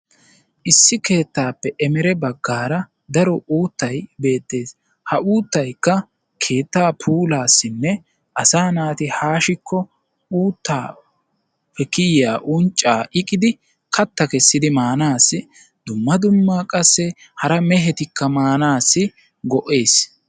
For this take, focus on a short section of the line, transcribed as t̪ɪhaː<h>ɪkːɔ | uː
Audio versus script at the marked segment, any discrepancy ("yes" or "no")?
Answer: yes